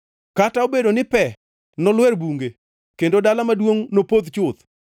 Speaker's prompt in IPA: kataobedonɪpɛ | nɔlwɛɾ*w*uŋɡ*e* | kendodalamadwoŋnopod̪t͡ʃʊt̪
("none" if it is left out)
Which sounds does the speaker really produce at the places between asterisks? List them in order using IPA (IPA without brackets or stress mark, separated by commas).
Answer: b, e